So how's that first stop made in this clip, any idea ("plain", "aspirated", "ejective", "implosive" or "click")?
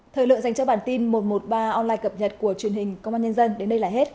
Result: aspirated